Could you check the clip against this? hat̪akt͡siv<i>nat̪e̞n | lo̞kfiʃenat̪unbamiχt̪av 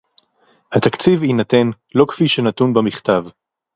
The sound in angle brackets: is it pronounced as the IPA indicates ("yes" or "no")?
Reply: yes